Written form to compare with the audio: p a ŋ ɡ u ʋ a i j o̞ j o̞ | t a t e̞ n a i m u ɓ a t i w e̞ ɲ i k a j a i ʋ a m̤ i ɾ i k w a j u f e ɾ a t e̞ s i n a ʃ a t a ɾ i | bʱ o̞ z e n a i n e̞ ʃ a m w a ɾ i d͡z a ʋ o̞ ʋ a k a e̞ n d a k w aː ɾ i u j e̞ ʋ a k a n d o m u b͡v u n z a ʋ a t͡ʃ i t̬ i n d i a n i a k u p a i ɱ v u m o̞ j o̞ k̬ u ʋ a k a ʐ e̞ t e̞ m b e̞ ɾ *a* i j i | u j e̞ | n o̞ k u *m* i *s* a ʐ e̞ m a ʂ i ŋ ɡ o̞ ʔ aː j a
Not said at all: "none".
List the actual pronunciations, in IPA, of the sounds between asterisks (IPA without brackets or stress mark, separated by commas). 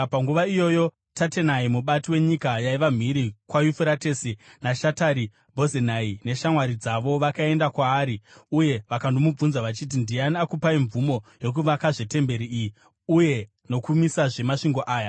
i, m, s